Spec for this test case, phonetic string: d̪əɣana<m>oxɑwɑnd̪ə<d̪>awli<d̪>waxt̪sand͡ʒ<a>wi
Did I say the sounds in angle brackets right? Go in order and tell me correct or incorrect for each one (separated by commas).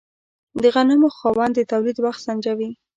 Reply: correct, incorrect, correct, correct